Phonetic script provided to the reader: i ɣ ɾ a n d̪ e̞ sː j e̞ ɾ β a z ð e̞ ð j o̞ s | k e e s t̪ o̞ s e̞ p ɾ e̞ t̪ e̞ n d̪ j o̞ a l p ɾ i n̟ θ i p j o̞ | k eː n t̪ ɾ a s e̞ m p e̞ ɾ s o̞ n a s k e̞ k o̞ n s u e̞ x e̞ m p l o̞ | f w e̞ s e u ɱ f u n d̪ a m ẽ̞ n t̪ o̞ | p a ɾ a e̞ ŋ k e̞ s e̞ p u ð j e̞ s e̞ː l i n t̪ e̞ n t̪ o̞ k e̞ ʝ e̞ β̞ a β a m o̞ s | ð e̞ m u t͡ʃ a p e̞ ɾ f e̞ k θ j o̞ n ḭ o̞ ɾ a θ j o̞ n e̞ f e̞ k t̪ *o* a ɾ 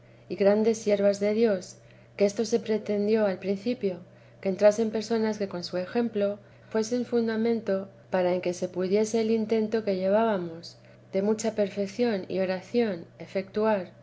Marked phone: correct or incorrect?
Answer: incorrect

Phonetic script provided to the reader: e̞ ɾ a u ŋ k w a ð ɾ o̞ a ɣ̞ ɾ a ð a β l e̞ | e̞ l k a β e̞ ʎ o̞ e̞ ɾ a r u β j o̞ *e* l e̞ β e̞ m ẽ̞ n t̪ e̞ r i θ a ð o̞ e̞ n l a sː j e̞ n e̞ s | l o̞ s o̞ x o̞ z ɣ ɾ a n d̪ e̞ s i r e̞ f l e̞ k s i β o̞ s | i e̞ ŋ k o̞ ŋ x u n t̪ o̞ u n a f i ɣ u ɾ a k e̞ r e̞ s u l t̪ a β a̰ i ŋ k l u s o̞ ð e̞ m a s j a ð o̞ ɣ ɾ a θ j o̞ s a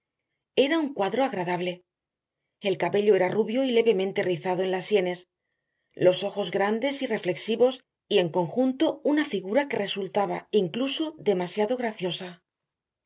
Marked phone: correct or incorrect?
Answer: incorrect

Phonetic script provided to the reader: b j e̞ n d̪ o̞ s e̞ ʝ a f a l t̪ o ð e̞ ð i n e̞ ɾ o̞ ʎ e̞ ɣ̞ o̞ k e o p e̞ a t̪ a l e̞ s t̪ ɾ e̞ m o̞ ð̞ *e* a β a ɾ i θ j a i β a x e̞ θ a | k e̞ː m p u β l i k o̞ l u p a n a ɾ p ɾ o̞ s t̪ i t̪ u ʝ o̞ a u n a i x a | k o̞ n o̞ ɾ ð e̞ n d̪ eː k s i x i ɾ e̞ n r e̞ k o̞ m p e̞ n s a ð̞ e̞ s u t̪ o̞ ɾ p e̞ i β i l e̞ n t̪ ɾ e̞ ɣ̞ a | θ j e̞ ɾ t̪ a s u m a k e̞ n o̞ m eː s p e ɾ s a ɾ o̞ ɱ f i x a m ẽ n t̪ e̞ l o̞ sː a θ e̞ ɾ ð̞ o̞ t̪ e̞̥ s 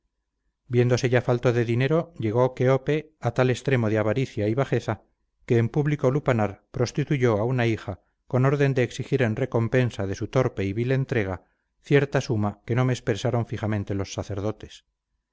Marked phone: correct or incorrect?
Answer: correct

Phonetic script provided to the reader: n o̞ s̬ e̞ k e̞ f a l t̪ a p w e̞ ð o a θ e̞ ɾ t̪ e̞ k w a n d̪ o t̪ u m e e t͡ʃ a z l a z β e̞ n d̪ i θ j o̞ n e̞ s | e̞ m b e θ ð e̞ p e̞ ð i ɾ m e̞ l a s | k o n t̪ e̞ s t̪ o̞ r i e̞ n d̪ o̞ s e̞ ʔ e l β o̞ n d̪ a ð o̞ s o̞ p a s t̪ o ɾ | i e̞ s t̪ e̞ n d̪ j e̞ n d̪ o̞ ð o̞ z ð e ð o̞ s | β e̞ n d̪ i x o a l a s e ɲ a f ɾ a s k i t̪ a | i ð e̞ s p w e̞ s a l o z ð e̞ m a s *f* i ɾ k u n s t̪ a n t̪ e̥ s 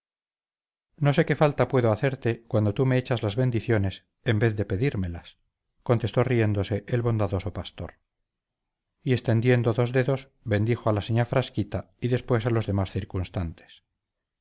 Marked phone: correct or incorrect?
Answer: incorrect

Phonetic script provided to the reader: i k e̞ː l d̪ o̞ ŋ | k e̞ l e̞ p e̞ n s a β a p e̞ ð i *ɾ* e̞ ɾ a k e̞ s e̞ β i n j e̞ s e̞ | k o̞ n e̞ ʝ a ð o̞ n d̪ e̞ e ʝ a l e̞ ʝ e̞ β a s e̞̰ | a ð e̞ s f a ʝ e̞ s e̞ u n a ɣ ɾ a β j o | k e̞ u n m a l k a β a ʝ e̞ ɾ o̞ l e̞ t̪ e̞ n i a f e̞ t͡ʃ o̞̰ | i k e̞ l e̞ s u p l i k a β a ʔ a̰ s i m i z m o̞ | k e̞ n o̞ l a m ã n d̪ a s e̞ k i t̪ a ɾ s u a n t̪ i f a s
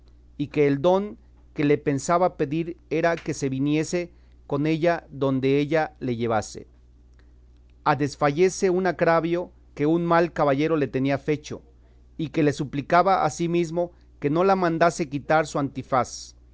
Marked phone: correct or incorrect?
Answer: correct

